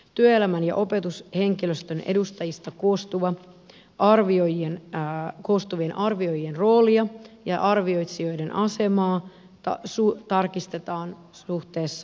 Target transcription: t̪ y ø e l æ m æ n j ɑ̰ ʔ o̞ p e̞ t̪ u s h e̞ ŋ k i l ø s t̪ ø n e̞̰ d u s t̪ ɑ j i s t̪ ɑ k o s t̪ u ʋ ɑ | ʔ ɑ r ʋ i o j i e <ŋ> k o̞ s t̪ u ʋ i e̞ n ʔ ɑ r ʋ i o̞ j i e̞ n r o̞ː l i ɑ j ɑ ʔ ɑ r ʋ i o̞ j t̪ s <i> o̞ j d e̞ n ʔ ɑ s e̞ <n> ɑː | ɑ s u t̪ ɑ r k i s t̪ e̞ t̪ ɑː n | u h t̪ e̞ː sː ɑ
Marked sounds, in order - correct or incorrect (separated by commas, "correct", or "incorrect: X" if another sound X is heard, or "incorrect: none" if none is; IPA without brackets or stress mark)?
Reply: incorrect: n, correct, incorrect: m